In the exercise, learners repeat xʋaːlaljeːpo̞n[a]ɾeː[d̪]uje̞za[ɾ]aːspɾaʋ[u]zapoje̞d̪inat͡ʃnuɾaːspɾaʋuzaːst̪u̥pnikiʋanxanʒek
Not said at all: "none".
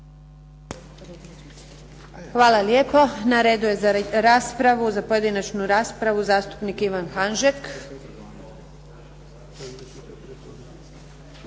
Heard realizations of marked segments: a, d̪, ɾ, u

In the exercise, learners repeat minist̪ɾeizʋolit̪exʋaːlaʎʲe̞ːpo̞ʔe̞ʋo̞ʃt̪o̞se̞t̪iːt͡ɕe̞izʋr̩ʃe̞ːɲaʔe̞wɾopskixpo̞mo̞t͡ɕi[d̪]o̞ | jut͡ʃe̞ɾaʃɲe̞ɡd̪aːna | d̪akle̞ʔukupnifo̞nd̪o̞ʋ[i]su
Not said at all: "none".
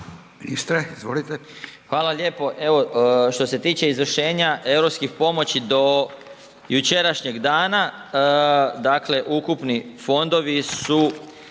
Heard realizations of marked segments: d̪, i

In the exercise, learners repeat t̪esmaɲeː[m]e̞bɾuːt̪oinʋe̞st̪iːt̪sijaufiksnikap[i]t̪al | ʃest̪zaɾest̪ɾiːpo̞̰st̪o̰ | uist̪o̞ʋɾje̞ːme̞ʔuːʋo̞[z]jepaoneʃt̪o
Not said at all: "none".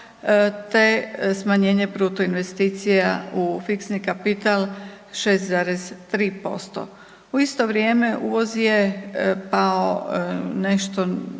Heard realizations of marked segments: ɲ, i, z

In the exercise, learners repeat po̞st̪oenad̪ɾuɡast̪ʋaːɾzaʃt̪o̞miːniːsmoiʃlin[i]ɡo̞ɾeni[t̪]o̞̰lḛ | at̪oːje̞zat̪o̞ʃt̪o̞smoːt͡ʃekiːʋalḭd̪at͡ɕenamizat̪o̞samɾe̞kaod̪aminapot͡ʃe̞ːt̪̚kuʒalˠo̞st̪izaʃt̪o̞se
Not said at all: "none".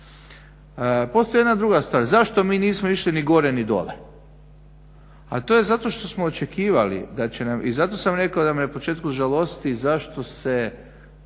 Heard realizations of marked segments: i, d̪

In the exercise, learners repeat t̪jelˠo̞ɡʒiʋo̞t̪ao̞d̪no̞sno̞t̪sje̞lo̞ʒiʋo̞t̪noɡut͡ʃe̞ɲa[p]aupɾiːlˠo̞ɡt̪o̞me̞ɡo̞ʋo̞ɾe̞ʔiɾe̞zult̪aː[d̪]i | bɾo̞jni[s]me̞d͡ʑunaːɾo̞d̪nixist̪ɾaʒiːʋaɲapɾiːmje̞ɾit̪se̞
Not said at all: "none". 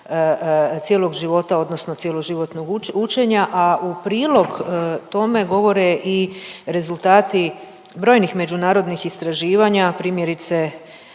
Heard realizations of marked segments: ʔ, t̪, x

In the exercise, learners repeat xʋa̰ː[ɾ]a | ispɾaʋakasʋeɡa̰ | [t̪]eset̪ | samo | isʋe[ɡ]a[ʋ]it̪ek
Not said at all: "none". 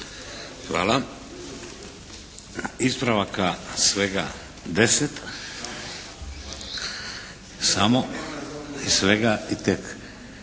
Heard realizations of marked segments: l, d̪, ɡ, none

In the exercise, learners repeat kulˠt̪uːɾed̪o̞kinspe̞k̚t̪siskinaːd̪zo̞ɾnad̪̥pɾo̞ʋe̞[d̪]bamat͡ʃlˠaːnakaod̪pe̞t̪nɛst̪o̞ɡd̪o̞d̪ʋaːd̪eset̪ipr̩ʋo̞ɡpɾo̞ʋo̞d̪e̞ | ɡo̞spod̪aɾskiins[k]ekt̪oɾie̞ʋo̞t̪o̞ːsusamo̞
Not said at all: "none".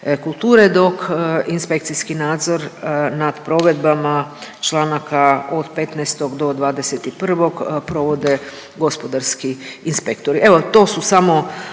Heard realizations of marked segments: d̪, p

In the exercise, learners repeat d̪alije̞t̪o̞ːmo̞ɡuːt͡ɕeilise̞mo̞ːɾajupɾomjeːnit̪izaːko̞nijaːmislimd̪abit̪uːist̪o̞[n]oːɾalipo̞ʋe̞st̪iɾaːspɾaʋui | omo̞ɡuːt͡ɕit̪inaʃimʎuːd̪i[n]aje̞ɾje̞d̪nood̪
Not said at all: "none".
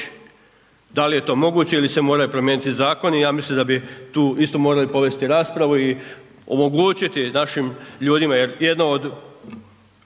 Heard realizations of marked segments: m, m

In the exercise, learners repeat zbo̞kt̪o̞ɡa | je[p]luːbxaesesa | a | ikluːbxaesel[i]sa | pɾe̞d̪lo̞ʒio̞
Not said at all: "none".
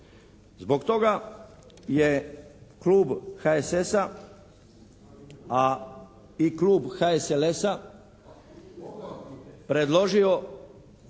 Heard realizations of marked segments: k, e

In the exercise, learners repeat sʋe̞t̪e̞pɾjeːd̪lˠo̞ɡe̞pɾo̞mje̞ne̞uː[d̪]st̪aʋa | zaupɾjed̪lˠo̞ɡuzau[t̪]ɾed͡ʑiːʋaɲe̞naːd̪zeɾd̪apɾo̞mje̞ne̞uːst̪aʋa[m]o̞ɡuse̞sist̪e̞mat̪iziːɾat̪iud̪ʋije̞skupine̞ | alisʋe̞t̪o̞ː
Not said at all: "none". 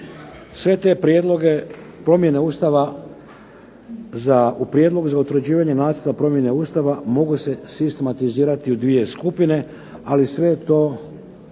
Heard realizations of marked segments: none, t̪, m

